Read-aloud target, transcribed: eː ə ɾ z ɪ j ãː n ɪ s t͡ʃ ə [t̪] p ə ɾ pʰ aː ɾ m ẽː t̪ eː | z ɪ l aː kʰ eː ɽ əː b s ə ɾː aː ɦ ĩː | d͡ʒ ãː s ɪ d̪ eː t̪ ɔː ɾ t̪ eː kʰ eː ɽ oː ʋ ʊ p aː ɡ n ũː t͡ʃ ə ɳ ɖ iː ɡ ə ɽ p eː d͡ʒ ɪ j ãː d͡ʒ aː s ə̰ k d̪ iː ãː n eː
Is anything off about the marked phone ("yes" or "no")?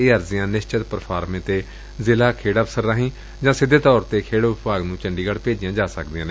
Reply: no